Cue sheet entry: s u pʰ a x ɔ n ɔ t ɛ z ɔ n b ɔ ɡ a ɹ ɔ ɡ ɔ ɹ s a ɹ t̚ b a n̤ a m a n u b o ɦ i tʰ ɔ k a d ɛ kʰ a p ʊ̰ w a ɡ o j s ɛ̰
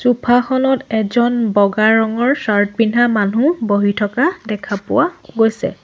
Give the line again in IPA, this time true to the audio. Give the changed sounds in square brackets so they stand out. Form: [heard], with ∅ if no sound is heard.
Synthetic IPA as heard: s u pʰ a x ɔ n ɔ t ɛ z ɔ n b ɔ ɡ a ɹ ɔ [ŋ] ɔ ɹ s a ɹ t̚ b [i] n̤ a m a n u b o ɦ i tʰ ɔ k a d ɛ kʰ a p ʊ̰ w a ɡ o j s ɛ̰